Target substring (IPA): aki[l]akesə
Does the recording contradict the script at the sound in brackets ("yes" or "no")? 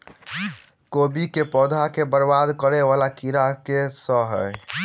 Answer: yes